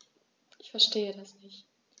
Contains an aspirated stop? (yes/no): no